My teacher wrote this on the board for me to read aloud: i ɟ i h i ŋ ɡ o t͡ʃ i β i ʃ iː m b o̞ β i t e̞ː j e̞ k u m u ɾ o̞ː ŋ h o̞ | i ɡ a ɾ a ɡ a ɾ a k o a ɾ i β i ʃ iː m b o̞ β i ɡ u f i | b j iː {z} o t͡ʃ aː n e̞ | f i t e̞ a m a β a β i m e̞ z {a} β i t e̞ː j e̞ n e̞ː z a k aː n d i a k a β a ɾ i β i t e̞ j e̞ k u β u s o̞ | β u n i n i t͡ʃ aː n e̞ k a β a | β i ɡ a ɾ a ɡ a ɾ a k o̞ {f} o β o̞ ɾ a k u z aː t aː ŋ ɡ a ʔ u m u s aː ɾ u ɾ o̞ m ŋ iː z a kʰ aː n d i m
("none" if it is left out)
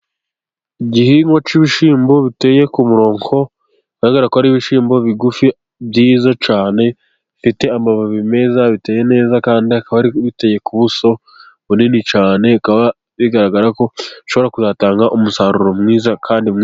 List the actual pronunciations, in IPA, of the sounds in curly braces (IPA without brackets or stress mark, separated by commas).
z, a, ʃ